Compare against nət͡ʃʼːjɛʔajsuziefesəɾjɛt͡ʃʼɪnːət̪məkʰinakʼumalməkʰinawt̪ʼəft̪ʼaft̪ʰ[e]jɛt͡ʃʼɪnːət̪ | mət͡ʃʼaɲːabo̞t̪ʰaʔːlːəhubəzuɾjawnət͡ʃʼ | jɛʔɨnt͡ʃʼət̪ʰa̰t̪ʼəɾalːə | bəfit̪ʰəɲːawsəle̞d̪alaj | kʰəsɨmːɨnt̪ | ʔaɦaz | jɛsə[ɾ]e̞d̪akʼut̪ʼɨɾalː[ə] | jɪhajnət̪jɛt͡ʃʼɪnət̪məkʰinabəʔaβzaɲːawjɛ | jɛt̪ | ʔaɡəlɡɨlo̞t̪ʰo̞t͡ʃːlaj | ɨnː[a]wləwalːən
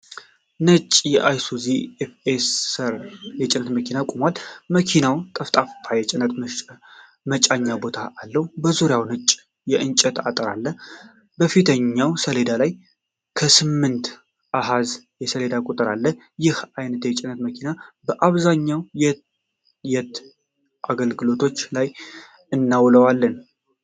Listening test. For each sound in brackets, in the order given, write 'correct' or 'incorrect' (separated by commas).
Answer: incorrect, incorrect, correct, correct